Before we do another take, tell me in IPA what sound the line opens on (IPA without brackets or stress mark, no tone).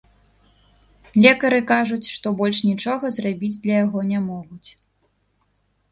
lʲ